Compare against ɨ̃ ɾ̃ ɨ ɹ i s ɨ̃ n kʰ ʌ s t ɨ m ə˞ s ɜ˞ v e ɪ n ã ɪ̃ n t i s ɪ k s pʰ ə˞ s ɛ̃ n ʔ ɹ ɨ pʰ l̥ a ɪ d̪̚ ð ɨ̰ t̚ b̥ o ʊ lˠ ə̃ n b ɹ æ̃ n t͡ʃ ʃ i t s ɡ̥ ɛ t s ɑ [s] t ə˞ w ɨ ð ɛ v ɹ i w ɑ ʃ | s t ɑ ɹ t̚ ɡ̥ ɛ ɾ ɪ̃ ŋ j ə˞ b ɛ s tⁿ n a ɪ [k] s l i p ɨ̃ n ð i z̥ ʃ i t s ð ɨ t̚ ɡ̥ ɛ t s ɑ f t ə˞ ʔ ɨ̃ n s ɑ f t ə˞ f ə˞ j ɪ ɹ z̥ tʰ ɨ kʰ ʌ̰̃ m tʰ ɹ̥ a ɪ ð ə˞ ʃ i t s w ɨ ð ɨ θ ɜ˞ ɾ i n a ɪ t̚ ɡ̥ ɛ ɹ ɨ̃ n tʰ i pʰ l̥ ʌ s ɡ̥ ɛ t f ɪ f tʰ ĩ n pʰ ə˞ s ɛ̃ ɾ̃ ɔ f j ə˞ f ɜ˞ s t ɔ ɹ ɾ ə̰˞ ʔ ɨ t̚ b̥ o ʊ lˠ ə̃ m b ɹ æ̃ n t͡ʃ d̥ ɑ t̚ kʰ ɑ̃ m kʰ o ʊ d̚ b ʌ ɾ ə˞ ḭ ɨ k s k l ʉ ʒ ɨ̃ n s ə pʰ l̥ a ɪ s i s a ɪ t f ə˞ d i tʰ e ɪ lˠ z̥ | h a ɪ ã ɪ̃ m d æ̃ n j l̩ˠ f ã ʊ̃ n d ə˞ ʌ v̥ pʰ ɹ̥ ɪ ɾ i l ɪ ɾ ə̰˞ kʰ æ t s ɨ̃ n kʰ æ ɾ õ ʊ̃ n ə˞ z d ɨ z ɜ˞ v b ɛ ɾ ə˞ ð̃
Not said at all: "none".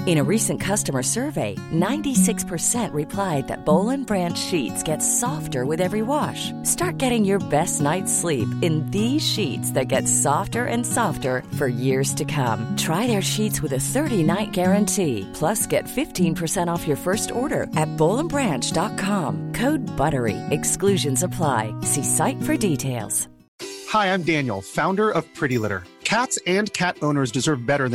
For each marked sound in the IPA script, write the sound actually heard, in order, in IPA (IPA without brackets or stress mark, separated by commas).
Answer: f, t